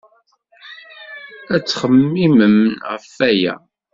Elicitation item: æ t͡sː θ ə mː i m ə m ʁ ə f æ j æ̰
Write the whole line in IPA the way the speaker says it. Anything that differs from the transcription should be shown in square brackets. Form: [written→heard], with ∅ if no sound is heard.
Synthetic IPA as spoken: æ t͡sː [θ→χ] ə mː i m ə m ʁ ə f æ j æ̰